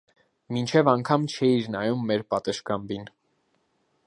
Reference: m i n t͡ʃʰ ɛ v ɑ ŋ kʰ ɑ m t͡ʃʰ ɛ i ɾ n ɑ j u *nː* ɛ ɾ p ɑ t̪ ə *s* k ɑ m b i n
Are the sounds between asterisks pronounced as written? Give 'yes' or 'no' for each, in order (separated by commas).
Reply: no, no